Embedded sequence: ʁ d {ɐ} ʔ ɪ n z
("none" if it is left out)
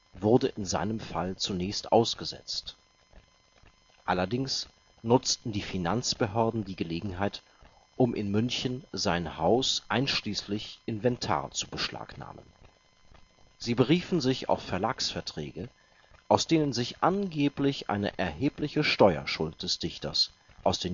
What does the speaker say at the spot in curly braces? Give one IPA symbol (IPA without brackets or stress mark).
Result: ə